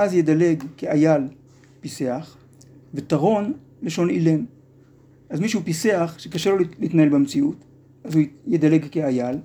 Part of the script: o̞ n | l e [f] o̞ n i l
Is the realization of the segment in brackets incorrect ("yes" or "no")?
yes